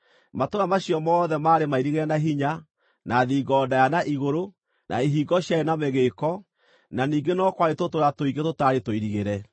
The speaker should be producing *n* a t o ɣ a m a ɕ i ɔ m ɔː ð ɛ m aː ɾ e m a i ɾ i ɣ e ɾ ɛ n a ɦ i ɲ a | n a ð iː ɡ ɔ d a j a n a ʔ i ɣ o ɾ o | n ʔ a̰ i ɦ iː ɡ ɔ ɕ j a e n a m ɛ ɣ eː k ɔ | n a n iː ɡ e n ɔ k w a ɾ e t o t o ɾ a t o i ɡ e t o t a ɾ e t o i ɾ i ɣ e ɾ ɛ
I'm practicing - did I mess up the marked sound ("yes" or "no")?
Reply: yes